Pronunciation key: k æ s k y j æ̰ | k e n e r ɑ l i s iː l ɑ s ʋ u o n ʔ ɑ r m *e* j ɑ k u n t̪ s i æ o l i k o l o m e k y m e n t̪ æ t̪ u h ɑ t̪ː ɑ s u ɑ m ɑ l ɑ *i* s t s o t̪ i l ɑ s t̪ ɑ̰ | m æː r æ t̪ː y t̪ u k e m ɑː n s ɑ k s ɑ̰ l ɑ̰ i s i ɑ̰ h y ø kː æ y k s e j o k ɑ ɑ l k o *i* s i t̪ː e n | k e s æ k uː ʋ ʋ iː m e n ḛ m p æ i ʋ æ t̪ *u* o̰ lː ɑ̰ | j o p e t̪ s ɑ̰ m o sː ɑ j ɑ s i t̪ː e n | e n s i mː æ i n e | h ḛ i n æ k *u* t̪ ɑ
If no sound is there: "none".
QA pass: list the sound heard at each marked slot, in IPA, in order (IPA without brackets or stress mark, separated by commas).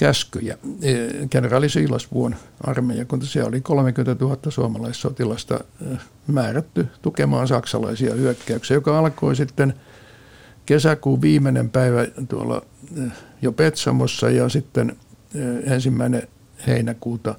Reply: e, i, i, u, uː